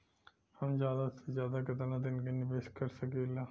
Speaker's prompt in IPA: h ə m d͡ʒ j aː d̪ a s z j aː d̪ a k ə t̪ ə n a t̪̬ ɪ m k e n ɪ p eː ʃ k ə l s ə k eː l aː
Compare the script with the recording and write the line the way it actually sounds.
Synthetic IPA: h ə m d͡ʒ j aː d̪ a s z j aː d̪ a k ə t̪ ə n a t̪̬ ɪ n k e n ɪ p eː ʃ k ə ɾ s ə k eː l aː